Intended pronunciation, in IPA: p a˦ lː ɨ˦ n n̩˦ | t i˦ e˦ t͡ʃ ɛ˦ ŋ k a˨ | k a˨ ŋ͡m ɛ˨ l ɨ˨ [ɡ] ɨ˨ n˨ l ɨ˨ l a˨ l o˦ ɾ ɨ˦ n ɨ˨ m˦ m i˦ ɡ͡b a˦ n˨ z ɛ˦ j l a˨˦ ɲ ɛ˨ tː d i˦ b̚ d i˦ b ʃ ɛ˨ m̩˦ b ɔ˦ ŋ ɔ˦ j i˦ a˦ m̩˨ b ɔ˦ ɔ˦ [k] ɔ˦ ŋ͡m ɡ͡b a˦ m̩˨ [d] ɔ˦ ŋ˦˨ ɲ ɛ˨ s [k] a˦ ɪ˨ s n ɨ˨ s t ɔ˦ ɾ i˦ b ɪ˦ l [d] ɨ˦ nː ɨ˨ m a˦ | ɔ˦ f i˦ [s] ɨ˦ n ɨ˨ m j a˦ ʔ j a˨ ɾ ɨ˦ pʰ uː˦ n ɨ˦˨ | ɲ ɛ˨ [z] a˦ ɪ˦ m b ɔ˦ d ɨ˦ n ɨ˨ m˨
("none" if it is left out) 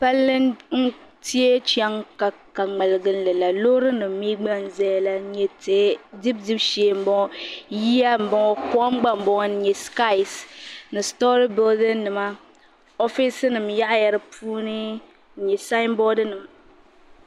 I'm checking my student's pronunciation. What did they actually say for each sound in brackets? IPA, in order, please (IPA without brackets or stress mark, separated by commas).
ɡ, k, b, k, d, s, s